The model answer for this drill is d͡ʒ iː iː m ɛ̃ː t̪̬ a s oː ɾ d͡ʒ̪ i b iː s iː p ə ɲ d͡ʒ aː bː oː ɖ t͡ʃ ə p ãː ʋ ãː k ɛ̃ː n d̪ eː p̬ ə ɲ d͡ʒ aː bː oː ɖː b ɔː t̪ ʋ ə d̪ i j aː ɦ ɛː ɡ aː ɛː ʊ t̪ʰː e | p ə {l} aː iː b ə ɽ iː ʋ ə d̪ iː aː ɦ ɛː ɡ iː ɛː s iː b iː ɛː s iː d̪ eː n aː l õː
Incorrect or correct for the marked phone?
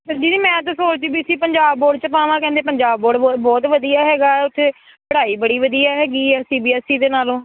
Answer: incorrect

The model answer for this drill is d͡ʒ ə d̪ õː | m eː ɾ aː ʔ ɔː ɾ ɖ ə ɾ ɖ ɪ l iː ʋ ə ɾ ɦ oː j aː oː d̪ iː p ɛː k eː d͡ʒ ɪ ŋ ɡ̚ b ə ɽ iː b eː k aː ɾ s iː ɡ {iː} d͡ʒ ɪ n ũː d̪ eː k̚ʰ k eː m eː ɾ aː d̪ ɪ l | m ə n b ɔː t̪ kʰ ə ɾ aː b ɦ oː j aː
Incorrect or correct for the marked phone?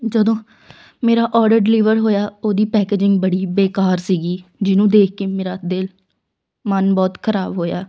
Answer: correct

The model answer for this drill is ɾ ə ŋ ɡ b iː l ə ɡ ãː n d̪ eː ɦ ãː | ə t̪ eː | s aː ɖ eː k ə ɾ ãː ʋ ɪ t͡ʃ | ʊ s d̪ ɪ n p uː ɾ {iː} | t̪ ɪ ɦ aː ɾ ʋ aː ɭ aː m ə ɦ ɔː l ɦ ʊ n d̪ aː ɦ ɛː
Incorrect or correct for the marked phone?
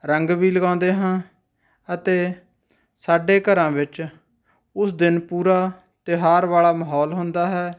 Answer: incorrect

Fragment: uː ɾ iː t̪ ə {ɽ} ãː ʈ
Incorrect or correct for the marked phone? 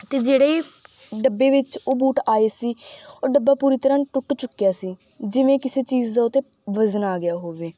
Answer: incorrect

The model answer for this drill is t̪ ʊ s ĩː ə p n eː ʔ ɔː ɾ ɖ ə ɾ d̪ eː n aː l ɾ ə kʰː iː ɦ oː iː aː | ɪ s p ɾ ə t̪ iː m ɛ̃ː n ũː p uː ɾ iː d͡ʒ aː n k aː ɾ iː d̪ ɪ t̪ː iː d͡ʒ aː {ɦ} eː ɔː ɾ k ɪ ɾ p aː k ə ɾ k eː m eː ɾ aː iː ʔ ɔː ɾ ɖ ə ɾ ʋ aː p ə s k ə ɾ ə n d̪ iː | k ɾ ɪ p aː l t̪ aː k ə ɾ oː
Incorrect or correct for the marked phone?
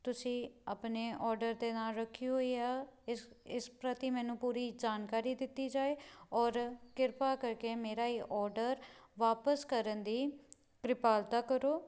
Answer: incorrect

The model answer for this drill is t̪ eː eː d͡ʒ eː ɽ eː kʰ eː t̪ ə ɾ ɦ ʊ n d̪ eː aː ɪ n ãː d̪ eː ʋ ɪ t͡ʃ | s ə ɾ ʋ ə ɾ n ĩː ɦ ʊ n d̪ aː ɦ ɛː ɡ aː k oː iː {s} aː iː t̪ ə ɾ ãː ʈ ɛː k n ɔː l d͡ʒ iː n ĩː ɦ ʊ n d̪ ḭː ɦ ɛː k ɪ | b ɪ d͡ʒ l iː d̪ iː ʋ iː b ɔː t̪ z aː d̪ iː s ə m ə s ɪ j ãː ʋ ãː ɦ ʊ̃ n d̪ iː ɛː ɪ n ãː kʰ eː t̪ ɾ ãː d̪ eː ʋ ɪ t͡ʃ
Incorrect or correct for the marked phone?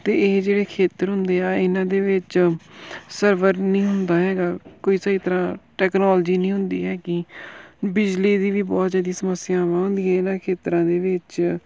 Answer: correct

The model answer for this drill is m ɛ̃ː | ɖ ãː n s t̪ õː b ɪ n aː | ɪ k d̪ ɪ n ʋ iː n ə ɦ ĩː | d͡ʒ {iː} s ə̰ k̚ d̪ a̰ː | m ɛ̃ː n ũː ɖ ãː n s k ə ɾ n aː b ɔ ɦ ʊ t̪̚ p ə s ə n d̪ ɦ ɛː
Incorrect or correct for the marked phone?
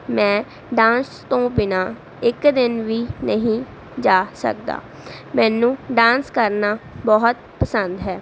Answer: incorrect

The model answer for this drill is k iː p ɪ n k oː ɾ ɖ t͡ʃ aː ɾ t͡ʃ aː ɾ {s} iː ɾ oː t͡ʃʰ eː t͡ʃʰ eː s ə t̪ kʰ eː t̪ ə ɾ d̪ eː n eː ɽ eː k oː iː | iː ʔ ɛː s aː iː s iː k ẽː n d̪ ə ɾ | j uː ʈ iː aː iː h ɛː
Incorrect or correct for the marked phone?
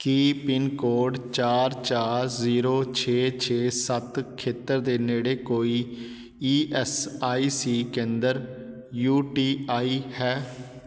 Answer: incorrect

